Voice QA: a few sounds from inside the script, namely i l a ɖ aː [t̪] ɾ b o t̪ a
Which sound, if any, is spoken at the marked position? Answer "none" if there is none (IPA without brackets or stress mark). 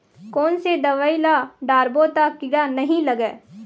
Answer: none